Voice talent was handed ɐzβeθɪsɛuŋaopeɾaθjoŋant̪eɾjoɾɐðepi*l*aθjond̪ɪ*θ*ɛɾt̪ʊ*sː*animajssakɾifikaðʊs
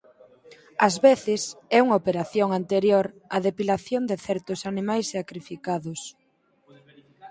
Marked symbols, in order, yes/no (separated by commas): yes, yes, no